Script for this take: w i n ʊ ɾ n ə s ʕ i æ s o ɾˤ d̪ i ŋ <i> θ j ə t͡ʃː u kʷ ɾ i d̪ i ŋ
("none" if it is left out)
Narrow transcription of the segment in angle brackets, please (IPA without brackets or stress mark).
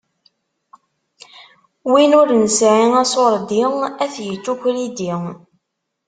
æ